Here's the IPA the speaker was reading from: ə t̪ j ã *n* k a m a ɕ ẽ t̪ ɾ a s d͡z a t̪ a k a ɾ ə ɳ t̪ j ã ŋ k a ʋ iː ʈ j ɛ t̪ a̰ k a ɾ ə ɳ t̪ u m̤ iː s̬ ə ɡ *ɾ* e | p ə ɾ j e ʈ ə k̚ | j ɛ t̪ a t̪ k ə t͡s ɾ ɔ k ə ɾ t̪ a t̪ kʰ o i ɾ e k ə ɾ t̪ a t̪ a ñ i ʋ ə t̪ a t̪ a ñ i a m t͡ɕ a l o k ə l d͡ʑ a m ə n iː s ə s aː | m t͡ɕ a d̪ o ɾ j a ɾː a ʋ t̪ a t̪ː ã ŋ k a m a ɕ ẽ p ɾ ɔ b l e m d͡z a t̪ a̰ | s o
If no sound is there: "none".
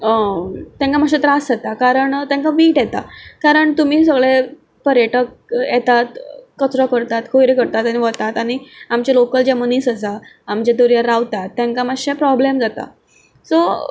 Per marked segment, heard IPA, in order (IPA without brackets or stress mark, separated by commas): ŋ, ɭ